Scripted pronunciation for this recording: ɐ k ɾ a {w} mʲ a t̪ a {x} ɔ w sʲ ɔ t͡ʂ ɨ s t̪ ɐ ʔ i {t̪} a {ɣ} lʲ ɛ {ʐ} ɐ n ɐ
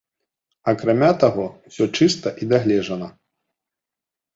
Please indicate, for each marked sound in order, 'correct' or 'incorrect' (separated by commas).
incorrect, incorrect, incorrect, correct, correct